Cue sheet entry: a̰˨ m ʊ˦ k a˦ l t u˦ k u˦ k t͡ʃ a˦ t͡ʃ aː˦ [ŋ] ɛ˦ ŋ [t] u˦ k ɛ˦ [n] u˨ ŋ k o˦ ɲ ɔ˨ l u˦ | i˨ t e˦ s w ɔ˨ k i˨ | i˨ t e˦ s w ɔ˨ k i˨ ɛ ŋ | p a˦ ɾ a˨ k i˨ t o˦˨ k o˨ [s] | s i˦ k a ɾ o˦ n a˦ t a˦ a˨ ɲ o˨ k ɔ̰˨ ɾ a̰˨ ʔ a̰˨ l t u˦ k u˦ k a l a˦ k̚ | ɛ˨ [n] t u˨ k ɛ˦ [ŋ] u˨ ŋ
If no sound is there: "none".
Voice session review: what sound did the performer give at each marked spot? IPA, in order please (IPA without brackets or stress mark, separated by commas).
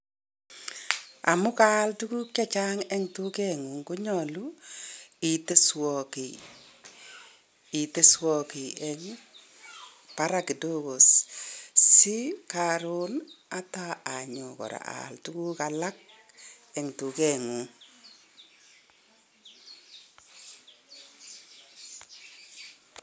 ŋ, t, ŋ, s, ŋ, ŋ